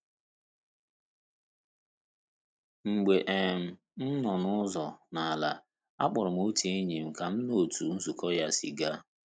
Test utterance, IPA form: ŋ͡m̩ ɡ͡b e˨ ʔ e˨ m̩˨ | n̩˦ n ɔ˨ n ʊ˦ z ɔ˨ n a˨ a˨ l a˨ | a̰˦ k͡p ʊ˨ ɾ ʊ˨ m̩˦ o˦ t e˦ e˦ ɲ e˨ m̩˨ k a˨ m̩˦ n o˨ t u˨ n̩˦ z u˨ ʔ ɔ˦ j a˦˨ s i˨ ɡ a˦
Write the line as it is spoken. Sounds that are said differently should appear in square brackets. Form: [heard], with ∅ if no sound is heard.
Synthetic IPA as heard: ŋ͡m̩ ɡ͡b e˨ ʔ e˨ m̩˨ | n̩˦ n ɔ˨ n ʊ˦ z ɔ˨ n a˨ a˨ l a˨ | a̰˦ k͡p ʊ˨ ɾ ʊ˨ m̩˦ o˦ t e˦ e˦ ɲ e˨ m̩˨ k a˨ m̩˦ n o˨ t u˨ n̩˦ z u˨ [k] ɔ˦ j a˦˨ s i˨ ɡ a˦

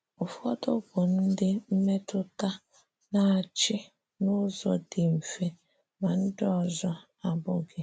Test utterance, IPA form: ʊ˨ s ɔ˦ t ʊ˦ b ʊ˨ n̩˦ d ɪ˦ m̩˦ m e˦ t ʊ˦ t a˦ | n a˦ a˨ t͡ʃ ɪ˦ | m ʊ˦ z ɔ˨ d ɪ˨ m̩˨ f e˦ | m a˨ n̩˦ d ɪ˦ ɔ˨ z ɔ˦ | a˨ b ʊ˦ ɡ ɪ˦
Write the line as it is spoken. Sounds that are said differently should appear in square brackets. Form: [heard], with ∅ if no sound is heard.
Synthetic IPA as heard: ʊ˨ [f] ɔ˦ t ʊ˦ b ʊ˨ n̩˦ d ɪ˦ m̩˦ m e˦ t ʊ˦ t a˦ | n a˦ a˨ t͡ʃ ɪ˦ | [n] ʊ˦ z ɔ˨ d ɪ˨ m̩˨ f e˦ | m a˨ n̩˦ d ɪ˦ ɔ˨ z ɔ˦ | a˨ b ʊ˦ ɡ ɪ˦

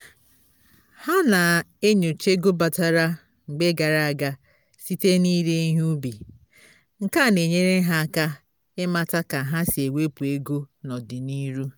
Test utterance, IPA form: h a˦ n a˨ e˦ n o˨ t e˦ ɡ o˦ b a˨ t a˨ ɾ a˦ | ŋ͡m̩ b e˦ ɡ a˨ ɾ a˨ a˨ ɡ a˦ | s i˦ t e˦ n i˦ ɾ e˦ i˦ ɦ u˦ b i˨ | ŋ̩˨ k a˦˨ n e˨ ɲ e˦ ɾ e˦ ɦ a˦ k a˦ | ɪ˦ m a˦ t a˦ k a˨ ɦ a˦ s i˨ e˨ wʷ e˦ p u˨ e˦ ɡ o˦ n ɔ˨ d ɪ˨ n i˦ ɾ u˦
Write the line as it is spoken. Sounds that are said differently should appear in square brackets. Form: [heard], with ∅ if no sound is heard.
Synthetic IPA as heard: h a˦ n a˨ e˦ [ɲ] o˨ [t͡ʃ] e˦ ɡ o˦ b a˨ t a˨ ɾ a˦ | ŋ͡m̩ [ɡ͡b] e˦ ɡ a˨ ɾ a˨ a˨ ɡ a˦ | s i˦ t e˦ n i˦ ɾ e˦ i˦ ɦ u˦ b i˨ | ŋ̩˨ k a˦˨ n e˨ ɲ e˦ ɾ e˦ ɦ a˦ k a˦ | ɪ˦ m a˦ t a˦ k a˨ ɦ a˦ s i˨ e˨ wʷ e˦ p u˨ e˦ ɡ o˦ n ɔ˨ d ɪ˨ n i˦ ɾ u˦

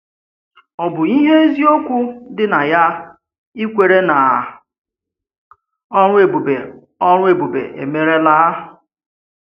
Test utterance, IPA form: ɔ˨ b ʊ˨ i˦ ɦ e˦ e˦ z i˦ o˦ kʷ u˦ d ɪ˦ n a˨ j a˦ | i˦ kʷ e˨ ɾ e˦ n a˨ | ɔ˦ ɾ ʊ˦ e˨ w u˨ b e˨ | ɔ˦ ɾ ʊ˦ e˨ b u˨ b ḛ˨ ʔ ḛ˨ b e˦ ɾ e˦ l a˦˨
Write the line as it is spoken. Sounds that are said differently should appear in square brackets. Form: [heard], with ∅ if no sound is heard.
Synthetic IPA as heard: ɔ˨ b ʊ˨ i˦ ɦ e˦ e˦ z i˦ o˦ kʷ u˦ d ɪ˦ n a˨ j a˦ | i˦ kʷ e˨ ɾ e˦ n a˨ | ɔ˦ ɾ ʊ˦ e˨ [b] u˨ b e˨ | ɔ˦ ɾ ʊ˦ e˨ b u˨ b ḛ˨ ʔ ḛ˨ [m] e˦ ɾ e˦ l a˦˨

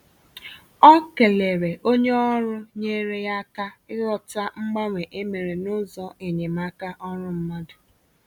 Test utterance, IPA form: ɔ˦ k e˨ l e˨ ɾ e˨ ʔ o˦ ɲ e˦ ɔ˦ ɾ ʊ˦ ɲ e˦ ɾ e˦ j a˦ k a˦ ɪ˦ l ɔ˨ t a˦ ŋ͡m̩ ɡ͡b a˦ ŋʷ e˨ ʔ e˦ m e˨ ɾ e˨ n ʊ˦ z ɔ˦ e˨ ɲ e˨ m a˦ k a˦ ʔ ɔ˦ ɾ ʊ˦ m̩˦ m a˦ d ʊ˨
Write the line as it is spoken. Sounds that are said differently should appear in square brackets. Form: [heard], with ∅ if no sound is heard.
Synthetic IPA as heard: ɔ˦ k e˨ l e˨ ɾ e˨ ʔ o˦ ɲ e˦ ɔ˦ ɾ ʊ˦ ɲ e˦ ɾ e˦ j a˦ k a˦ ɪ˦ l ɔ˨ t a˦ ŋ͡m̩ ɡ͡b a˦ ŋʷ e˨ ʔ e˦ m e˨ ɾ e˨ n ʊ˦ z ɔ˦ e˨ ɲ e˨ m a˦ k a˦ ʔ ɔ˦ ɾ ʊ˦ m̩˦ m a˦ d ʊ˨

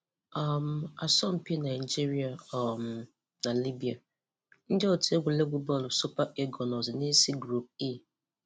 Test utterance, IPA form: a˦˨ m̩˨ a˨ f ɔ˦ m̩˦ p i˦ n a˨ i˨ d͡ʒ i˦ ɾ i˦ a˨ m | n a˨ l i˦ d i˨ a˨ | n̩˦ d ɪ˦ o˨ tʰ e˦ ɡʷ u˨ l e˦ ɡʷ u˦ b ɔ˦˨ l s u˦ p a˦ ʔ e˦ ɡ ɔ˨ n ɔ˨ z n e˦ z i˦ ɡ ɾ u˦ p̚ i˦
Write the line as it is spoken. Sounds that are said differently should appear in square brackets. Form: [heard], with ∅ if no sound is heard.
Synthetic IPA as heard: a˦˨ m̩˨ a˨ [s] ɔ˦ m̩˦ p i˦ n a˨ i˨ d͡ʒ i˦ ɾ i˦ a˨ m | n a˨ l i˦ [b] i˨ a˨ | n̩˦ d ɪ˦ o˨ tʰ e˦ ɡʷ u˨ l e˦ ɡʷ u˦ b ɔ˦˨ l s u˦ p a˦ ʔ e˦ ɡ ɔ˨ n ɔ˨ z n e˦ [s] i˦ ɡ ɾ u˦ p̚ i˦

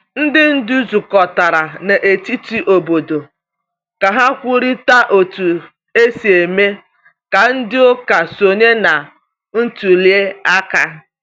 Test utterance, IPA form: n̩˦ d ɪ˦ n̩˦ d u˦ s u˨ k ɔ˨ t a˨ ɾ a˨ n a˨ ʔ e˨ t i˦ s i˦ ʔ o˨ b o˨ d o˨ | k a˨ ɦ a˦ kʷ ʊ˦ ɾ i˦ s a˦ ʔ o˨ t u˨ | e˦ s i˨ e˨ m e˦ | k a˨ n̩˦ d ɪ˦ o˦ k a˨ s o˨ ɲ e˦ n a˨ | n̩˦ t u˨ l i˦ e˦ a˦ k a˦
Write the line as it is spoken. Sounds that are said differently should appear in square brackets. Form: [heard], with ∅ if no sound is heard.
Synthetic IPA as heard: n̩˦ d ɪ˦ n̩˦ d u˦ [z] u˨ k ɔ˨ t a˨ ɾ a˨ n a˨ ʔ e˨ t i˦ [t] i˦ ʔ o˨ b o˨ d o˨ | k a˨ ɦ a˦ kʷ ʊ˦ ɾ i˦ [t] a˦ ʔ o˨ t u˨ | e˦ s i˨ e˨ m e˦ | k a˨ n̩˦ d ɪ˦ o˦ k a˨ s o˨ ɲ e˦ n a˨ | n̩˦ t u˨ l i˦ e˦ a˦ k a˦

